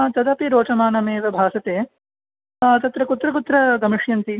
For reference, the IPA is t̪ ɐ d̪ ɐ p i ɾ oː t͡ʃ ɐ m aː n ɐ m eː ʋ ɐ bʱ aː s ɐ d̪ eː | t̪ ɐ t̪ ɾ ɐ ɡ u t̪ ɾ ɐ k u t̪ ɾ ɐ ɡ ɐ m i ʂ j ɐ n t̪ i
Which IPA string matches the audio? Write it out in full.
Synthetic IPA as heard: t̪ ɐ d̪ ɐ p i ɾ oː t͡ʃ ɐ m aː n ɐ m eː ʋ ɐ bʱ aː s ɐ t̪ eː | t̪ ɐ t̪ ɾ ɐ k u t̪ ɾ ɐ k u t̪ ɾ ɐ ɡ ɐ m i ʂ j ɐ n t̪ i